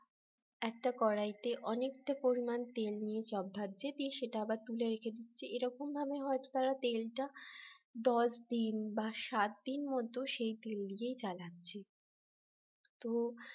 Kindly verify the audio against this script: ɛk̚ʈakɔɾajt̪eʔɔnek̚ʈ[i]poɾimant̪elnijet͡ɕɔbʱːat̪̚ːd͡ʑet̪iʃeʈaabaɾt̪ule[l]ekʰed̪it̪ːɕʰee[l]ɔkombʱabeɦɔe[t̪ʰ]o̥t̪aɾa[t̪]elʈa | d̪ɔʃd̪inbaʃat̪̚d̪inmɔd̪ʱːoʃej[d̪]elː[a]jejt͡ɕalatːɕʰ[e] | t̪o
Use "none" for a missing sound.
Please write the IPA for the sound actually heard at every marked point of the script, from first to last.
a, ɾ, ɾ, t̪, t̪, t̪, i, e

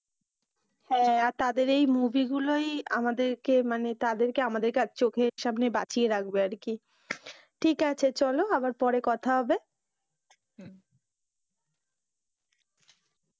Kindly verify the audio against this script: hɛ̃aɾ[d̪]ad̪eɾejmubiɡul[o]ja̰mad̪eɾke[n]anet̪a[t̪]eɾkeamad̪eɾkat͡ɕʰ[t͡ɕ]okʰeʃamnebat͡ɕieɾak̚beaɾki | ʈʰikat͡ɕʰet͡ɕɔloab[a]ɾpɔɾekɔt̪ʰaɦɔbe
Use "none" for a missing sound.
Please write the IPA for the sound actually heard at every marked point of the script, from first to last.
t̪, o, m, d̪, t͡ɕ, a

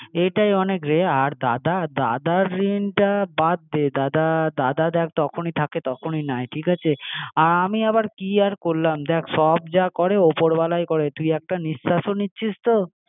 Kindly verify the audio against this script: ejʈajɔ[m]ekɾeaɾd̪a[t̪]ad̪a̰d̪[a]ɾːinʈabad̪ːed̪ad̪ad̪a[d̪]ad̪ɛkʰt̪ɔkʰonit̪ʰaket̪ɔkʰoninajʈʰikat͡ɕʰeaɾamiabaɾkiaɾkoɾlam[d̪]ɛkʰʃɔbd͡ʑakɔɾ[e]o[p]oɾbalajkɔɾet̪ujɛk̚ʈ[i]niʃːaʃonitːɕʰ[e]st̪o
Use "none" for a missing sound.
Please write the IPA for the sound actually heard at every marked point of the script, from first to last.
n, d̪, a, d̪, d̪, e, p, a, i

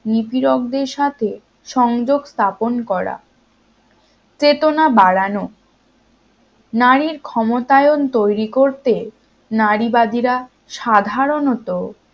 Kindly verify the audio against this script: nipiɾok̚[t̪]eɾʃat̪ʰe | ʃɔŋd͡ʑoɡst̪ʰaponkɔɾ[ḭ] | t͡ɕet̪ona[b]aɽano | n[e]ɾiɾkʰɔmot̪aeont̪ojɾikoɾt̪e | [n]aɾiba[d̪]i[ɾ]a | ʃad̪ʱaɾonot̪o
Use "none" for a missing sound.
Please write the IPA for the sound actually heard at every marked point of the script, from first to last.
d̪, a̰, b, a, n, d̪, ɾ

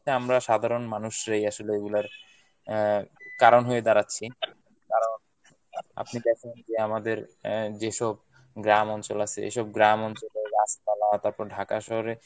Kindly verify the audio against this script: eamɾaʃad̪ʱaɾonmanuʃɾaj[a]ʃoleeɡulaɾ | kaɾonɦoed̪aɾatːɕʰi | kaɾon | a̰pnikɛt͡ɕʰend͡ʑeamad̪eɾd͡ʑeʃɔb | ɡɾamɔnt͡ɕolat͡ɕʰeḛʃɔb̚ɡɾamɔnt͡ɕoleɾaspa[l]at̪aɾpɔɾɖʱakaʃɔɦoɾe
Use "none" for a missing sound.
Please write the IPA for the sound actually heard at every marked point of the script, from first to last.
a, l

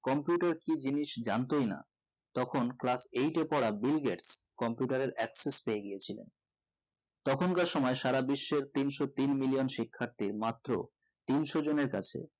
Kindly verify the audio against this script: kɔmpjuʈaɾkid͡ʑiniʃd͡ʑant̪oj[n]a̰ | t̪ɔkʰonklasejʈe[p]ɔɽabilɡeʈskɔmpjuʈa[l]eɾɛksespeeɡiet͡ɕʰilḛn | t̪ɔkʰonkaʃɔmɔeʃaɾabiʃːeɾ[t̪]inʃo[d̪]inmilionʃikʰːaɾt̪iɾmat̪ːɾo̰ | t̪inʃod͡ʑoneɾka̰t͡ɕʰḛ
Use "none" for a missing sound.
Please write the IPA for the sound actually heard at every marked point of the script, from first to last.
n, p, ɾ, t̪, t̪

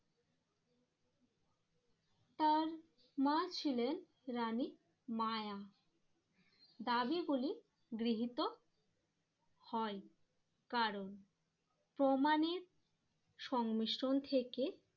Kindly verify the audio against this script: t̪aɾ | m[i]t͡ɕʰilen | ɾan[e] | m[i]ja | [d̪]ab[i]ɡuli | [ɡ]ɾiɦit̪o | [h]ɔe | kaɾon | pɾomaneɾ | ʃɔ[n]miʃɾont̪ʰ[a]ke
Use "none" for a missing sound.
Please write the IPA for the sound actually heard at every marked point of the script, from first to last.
a, i, a, d̪, i, ɡ, h, ŋ, e

